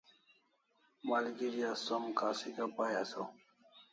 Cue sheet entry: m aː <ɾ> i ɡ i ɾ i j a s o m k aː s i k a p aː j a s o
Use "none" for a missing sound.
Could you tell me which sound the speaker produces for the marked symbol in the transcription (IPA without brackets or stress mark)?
l